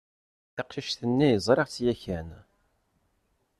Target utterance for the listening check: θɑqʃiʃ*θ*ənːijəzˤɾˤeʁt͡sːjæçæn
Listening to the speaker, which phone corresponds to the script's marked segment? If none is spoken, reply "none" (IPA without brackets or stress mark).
θ